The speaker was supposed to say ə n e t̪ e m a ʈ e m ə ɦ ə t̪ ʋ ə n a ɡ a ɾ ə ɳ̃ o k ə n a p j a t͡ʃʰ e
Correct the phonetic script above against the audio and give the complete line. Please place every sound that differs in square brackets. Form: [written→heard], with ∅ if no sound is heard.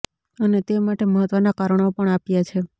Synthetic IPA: ə n e t̪ e m a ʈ e m ə ɦ ə t̪ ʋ ə n a [ɡ→k] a ɾ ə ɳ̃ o [k→p] ə [n→ɳ] a p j a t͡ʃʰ e